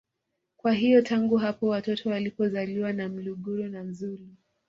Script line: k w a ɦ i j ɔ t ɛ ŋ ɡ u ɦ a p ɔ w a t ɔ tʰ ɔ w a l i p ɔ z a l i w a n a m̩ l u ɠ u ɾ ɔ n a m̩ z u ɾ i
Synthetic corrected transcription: k w a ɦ i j ɔ t a ŋ ɡ u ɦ a p ɔ w a t ɔ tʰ ɔ w a l i p ɔ z a l i w a n a m̩ l u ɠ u ɾ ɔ n a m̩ z u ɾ i